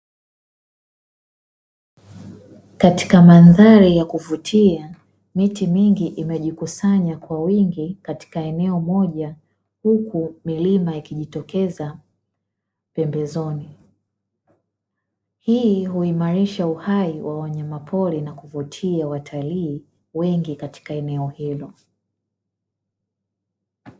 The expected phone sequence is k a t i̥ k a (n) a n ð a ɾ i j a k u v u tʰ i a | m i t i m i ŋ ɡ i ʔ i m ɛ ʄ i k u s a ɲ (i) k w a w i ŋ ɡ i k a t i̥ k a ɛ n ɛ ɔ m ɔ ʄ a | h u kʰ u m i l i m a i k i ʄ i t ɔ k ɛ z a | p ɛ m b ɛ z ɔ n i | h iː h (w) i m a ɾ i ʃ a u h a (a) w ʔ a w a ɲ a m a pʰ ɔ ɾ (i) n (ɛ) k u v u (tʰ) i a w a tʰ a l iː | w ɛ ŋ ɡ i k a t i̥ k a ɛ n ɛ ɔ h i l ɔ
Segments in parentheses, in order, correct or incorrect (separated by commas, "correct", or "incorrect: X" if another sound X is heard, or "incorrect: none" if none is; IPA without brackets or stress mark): incorrect: m, incorrect: a, incorrect: u, incorrect: i, correct, incorrect: a, correct